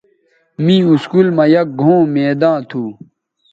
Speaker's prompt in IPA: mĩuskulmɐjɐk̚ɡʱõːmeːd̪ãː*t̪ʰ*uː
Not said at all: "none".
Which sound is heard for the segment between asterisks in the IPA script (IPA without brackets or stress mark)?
t̪ʰ